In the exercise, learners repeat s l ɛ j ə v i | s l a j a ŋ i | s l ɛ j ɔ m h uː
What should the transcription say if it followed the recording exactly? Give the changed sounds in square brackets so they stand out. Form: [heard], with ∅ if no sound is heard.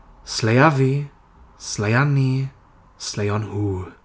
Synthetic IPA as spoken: s l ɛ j [a] v i | s l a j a [n] i | s l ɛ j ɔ [n] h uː